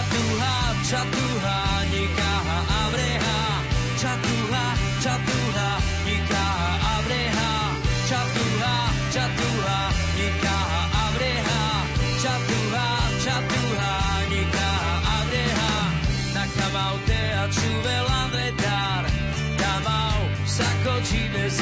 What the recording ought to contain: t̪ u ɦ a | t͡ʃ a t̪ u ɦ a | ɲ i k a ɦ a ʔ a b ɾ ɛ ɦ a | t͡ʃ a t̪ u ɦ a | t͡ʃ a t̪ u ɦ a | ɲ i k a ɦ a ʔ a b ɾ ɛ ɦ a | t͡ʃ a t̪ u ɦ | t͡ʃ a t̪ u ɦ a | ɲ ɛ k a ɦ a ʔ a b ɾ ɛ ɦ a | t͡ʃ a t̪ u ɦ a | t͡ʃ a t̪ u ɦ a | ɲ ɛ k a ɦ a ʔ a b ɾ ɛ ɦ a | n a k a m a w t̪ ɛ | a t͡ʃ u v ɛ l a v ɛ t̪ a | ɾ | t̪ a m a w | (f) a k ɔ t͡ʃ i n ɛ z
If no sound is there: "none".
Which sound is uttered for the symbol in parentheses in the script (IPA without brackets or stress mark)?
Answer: s